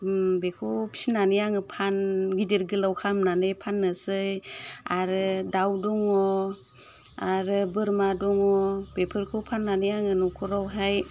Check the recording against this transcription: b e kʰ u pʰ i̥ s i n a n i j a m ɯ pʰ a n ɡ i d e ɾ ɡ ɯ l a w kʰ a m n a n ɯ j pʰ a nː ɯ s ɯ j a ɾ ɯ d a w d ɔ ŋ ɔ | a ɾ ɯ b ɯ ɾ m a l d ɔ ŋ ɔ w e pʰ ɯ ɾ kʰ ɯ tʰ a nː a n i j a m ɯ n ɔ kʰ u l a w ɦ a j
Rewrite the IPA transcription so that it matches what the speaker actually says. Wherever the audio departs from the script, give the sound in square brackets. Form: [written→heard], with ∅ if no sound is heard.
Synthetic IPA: b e kʰ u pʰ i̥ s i n a n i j a [m→ŋ] ɯ pʰ a n ɡ i d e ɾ ɡ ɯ l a w kʰ a m n a n ɯ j pʰ a nː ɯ s ɯ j a ɾ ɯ d a w d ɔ ŋ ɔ | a ɾ ɯ b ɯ ɾ m a [l→∅] d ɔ ŋ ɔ [w→b] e pʰ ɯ ɾ kʰ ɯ [tʰ→pʰ] a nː a n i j a [m→ŋ] ɯ n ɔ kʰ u [l→ɾ] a w ɦ a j